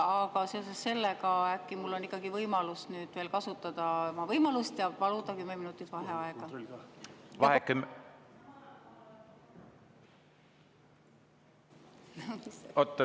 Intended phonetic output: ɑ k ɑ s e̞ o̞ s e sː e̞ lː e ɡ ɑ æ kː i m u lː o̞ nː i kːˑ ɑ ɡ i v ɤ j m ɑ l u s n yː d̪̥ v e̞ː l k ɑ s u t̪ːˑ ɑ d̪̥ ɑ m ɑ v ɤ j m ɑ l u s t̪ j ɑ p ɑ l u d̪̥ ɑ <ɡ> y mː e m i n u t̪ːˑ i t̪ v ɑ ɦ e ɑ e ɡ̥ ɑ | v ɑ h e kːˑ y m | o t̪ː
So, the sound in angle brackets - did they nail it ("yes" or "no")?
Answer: no